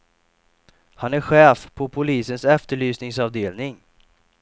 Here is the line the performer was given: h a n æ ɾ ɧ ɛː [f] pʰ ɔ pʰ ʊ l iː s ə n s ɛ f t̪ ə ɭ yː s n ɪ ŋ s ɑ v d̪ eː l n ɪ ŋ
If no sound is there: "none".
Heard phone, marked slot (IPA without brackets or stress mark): f